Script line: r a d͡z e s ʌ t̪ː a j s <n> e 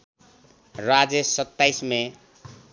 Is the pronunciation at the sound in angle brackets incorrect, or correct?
incorrect